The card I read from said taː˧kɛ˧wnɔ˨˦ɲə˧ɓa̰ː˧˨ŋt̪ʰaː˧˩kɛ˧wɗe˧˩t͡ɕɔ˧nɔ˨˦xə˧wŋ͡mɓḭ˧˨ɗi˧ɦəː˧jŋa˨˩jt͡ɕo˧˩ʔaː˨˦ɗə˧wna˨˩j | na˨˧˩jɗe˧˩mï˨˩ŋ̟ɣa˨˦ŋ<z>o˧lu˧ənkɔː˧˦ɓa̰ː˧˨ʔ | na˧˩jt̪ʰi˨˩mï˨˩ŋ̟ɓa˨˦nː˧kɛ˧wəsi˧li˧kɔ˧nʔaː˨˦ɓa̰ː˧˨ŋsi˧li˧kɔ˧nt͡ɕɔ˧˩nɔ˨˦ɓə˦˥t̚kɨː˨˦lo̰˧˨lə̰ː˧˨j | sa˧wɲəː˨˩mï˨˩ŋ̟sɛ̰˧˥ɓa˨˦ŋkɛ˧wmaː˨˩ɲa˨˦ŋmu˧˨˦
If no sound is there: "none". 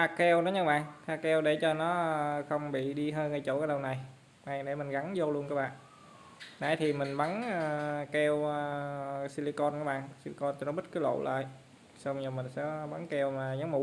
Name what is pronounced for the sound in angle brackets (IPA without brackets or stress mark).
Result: z